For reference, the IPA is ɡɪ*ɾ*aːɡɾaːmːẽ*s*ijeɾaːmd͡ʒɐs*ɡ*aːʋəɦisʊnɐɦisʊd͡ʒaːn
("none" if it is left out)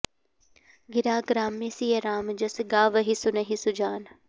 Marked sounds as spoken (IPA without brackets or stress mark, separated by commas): ɾ, s, ɡ